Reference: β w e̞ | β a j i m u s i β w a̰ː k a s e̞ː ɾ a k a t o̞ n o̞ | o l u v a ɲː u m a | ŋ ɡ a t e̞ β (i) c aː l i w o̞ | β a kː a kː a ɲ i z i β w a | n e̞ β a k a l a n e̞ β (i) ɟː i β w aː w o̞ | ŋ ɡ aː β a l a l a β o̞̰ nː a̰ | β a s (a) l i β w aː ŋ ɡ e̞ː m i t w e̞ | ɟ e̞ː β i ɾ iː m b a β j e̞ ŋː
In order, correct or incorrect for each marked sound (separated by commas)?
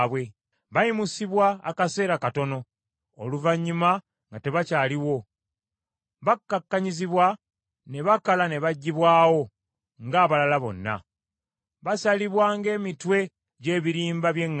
incorrect, incorrect, correct